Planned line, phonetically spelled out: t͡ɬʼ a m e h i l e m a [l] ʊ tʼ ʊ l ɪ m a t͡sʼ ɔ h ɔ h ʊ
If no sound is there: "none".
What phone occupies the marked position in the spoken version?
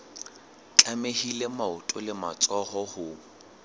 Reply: none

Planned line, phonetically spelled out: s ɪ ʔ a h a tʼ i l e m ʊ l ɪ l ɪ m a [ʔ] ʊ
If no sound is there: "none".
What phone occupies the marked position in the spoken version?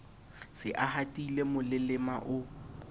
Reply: ʔ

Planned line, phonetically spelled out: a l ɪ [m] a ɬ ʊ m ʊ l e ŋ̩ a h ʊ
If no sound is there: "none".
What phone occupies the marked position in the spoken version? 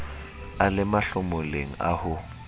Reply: m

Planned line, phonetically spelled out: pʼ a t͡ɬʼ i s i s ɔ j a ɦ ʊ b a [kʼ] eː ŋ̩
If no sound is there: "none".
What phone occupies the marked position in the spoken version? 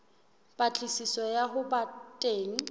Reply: tʼ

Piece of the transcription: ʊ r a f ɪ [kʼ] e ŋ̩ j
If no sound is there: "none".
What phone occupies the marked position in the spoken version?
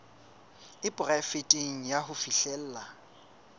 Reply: tʼ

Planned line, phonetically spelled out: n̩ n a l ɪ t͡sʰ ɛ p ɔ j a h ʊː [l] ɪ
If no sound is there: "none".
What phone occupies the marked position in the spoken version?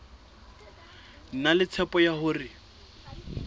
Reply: r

